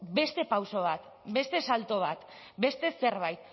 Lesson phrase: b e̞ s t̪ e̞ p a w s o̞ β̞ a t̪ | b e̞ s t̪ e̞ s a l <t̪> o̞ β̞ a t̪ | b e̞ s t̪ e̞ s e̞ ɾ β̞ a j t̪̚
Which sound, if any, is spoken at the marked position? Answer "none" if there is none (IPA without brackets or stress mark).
t̪